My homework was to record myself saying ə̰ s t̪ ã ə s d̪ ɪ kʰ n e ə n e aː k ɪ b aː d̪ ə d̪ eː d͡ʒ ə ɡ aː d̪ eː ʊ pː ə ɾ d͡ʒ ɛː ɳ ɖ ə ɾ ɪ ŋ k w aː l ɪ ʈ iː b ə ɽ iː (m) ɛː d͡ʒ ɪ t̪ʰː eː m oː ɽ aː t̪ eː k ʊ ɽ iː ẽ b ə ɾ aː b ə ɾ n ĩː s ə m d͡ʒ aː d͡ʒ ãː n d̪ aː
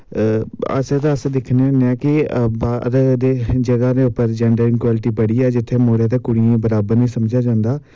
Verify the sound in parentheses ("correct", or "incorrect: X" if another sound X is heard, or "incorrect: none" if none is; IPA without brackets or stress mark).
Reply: incorrect: none